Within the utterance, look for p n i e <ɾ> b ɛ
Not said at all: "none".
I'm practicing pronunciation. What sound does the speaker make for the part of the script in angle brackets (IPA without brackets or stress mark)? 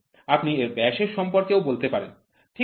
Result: ɾ